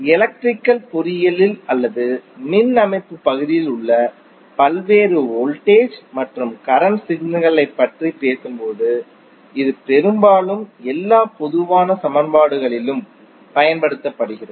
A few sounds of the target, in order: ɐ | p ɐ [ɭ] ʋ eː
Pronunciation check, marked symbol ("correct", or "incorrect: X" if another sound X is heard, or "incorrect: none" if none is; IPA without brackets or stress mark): incorrect: l